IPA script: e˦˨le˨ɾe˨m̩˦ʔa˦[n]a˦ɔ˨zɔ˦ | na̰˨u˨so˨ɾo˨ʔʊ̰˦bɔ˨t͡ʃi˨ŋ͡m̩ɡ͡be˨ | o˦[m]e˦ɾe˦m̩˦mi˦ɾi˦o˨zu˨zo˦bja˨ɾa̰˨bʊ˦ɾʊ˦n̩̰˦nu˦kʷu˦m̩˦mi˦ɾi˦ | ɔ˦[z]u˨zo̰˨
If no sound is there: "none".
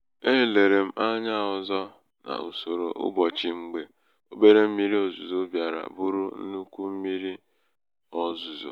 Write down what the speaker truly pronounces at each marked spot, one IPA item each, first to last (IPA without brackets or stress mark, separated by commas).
ɲ, b, z